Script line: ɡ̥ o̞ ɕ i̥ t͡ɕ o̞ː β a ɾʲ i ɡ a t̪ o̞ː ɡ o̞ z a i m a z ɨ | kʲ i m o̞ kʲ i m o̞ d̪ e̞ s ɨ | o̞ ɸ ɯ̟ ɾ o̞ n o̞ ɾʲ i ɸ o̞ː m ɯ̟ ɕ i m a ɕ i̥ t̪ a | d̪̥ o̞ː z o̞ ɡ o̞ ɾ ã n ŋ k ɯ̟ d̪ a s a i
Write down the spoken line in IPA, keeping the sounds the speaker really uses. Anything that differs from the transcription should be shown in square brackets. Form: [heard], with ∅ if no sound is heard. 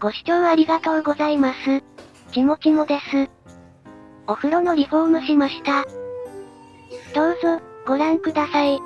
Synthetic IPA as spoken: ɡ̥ o̞ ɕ i̥ t͡ɕ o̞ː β a ɾʲ i ɡ a t̪ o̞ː ɡ o̞ z a i m a [s] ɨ | kʲ i m o̞ kʲ i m o̞ d̪ e̞ s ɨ | o̞ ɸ ɯ̟ ɾ o̞ n o̞ ɾʲ i ɸ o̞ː m ɯ̟ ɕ i m a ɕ i̥ t̪ a | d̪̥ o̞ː z o̞ ɡ o̞ ɾ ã [∅] ŋ k ɯ̟ d̪ a s a i